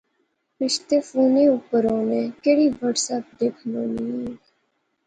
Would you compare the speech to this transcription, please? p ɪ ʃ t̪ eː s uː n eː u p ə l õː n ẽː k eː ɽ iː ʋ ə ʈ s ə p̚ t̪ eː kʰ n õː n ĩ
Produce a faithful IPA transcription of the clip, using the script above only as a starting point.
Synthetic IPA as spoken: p ɪ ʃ t̪ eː f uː n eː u p ə ɾ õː n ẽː k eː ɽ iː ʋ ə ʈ s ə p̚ d̪ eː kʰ n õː n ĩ